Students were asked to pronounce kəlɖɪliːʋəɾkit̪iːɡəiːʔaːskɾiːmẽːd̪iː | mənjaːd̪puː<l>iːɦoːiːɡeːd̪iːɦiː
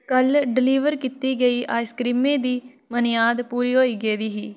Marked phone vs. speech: incorrect: ɾ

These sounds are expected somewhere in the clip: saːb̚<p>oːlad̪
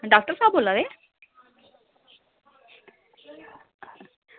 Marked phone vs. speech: incorrect: b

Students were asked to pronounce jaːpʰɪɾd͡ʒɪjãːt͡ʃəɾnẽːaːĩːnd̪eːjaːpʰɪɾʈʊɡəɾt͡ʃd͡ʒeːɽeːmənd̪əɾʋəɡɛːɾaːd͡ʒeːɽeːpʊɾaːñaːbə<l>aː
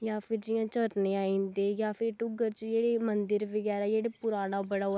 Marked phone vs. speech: incorrect: ɽ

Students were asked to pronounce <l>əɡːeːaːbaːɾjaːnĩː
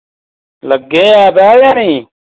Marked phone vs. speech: correct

